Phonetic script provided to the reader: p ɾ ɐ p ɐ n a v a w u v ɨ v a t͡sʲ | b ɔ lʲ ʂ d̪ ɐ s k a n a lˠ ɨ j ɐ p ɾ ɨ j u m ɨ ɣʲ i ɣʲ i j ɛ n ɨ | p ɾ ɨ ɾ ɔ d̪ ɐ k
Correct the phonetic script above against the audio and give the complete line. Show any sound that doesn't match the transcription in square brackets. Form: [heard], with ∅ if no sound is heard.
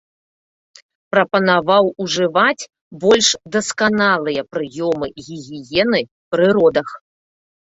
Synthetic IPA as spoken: p ɾ ɐ p ɐ n a v a w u [ʐ] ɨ v a t͡sʲ | b ɔ lʲ ʂ d̪ ɐ s k a n a lˠ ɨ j ɐ p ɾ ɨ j [ɔ] m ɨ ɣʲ i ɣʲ i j ɛ n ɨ | p ɾ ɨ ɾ ɔ d̪ ɐ [x]